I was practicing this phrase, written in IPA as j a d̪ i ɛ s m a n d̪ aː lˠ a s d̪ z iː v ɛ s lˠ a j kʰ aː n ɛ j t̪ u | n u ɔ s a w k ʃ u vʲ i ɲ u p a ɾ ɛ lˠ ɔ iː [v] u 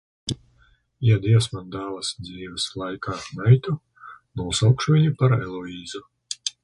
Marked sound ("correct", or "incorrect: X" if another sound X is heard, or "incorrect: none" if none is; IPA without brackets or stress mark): incorrect: z